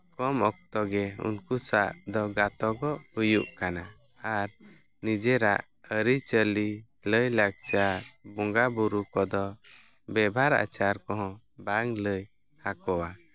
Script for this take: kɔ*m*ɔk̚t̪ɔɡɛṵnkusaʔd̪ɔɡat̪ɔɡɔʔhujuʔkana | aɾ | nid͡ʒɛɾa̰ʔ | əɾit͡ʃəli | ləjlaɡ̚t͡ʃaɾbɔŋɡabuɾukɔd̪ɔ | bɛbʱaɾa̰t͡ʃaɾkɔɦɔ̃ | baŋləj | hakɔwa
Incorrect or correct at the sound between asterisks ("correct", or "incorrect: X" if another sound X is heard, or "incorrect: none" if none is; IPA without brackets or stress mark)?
correct